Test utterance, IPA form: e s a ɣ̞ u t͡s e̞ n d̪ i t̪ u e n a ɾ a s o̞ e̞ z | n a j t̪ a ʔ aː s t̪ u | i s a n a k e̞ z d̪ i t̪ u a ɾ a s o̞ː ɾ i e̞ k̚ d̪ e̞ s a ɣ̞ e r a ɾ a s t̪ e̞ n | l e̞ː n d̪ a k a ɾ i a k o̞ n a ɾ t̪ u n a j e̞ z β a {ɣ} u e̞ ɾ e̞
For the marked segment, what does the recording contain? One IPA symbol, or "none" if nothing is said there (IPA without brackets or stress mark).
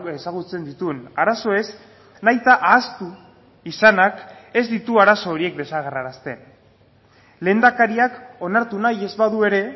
ð